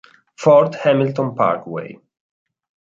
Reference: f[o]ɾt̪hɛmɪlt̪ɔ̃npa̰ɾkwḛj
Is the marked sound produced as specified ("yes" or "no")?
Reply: no